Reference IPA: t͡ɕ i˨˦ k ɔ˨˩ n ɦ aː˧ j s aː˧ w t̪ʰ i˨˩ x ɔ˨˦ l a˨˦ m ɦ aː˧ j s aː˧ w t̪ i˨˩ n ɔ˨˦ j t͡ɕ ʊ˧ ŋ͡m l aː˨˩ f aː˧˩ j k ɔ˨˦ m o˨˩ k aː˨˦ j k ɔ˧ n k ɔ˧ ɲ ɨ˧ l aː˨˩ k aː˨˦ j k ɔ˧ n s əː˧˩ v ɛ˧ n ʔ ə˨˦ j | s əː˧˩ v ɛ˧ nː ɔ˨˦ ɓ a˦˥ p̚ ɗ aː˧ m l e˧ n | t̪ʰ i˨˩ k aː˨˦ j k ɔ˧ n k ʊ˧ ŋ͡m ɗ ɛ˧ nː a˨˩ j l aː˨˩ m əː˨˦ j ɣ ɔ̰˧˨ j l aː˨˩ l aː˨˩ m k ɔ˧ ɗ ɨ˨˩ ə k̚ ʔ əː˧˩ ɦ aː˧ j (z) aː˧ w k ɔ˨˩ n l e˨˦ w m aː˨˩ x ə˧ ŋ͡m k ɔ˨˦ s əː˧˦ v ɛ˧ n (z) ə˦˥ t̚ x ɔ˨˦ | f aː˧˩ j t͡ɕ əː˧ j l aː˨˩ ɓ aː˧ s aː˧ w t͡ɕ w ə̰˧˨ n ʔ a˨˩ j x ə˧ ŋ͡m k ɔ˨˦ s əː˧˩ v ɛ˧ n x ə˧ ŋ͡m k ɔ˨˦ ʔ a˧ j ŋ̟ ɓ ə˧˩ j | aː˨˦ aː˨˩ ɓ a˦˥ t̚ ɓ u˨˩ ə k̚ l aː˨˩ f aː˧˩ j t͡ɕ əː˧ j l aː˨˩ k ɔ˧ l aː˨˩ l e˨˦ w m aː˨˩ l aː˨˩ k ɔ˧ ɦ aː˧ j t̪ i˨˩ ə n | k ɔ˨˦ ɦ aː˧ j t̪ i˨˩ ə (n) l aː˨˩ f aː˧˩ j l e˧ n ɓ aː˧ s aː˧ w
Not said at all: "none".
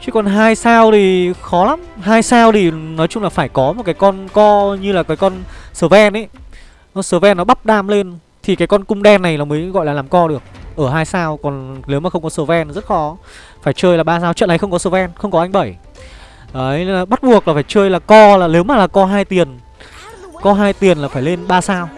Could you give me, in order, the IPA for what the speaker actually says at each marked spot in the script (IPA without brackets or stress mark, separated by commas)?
s, z, n